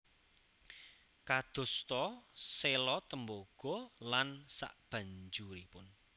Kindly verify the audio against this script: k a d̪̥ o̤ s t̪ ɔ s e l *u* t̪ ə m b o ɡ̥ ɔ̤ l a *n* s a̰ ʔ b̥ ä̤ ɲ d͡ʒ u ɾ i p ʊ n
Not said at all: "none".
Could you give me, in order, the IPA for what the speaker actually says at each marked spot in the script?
ɔ, n

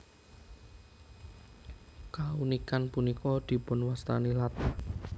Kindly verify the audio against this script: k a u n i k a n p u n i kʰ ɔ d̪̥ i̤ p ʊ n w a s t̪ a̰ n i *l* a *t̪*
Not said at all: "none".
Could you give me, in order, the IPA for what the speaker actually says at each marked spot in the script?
l, t̪

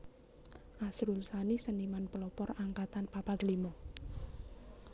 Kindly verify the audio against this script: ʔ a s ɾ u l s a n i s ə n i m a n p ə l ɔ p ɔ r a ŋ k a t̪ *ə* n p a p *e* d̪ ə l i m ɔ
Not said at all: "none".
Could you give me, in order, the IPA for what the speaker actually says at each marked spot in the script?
a, a

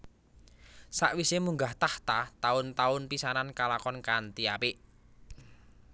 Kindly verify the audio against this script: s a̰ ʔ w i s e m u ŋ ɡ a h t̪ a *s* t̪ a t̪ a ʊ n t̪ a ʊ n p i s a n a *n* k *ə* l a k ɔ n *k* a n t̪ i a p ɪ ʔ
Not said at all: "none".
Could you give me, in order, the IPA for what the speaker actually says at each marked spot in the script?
h, n, a, k

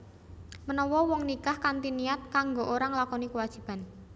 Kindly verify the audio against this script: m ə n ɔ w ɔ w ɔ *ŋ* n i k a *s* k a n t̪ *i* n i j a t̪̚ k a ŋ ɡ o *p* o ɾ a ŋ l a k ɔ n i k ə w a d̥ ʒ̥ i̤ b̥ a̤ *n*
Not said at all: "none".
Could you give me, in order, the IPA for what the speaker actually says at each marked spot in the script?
ŋ, h, i, ʔ, n

